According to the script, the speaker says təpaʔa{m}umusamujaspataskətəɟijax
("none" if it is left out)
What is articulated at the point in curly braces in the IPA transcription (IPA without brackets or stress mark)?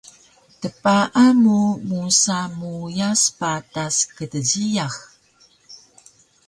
m